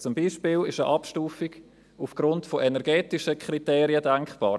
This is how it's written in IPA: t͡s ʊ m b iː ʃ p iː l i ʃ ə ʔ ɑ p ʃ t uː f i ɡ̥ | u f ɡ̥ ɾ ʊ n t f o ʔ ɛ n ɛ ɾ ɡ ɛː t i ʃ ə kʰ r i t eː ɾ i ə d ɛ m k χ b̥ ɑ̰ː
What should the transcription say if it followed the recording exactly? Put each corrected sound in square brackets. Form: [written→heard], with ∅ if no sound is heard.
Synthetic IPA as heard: t͡s ʊ m b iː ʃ p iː l [i→ɪ] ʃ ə ʔ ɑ p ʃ t uː f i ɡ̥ | u f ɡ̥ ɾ ʊ n t f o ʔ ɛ n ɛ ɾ ɡ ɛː t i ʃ ə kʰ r i t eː ɾ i ə d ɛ [m→ŋ] k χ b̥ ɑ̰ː